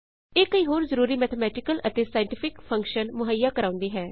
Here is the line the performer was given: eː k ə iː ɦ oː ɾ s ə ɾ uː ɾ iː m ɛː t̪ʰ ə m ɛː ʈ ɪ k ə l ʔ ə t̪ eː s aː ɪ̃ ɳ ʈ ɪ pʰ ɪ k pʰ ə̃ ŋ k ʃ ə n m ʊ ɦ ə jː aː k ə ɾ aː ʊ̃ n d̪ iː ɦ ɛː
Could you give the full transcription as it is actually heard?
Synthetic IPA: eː k ə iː ɦ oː ɾ z ə ɾ uː ɾ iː m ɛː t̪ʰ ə m ɛː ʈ ɪ k ə l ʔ ə t̪ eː s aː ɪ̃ ɳ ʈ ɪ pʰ ɪ k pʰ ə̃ ŋ k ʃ ə n m ʊ ɦ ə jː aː k ə ɾ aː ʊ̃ n d̪ iː ɦ ɛː

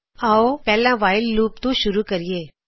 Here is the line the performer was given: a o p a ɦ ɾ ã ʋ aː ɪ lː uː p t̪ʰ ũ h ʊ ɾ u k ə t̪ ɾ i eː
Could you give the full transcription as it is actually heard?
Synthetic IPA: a o p ɛ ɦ l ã ʋ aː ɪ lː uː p t̪ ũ ʃ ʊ ɾ u k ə ɾ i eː

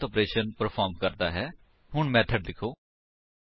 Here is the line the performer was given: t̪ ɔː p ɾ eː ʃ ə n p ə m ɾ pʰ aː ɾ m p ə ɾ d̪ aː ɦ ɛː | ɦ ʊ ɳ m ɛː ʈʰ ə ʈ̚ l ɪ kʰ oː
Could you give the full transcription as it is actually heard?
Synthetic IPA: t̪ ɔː p ɾ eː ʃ ə n p ə ɾ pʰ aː ɾ m k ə ɾ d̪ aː ɦ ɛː | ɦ ʊ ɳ m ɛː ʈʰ ə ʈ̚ l ɪ kʰ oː

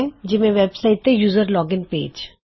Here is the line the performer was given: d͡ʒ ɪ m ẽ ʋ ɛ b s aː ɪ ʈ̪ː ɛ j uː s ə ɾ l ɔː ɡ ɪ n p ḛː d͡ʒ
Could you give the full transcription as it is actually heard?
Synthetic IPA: d͡ʒ ɪ m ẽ ʋ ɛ b s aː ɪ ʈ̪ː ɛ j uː z ə ɾ l ɔː ɡ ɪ n p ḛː d͡ʒ

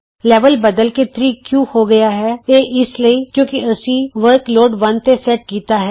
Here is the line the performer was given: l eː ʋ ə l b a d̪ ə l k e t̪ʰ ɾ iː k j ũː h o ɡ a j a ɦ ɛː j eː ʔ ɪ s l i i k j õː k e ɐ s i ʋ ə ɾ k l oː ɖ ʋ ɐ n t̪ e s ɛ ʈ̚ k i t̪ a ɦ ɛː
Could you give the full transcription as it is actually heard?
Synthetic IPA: l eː ʋ ə l b ɐ d̪ ə l k e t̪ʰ ɾ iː k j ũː h o ɡ ɐ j a ɦ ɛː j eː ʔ ɪ s l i i k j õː k i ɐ s i ʋ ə ɾ k l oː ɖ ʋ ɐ n t̪ e s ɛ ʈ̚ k iː t̪ a ɦ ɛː

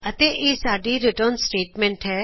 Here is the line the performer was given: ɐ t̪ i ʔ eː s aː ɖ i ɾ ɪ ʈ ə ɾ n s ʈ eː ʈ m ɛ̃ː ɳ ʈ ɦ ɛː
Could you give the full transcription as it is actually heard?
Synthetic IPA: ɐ t̪ e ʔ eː s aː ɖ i ɾ ɪ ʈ ə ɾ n s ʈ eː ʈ m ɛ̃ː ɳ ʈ ɦ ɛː

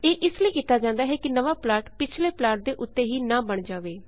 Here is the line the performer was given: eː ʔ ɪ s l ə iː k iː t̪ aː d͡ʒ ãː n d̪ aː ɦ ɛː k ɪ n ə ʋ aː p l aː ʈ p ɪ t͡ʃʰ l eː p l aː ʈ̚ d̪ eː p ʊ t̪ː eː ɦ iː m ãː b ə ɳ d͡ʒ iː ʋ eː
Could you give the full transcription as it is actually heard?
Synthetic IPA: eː ʔ ɪ s l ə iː k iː t̪ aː d͡ʒ ãː n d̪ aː ɦ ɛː k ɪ n ə ʋ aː p l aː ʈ p ɪ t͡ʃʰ l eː p l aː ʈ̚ d̪ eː ʔ ʊ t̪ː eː ɦ iː n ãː b ə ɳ d͡ʒ aː ʋ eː

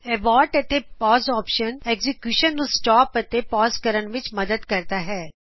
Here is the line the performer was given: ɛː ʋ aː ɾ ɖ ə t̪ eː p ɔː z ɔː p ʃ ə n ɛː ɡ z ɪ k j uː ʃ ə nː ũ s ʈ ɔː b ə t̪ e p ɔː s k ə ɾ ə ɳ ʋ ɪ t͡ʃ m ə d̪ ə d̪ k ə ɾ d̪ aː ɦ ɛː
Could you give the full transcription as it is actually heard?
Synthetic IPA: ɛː ʋ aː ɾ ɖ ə t̪ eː p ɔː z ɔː p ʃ ə n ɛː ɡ z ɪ k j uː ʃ ə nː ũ s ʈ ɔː p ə t̪ e p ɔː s k ə ɾ ə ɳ ʋ ɪ t͡ʃ m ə d̪ ə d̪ k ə ɾ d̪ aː ɦ ɛː

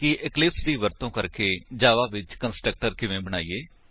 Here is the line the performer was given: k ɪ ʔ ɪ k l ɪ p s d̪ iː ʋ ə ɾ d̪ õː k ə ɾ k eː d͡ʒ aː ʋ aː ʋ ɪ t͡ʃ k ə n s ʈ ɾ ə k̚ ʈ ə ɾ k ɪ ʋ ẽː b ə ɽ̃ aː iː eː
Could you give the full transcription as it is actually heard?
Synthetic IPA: k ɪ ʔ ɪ k l ɪ p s d̪ iː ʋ ə ɾ t̪ õː k ə ɾ k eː d͡ʒ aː ʋ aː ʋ ɪ t͡ʃ k ə n s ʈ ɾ ə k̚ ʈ ə ɾ k ɪ ʋ ẽː b ə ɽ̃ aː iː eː

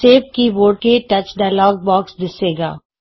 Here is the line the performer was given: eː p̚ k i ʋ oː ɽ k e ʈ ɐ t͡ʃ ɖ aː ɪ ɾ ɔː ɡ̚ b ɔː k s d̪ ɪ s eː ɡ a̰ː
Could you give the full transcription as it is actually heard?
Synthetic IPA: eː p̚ k i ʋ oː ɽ k e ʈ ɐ t͡ʃ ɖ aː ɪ l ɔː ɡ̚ b ɔː k s d̪ ɪ s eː ɡ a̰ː

